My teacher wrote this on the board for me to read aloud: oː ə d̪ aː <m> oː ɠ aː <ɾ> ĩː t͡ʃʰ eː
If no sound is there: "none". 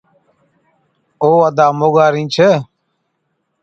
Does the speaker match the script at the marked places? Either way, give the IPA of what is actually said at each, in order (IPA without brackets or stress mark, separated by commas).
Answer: m, ɾ